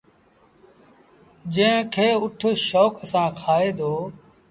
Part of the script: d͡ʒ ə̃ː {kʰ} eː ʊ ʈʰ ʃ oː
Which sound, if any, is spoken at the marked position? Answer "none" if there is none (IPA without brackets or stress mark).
kʰ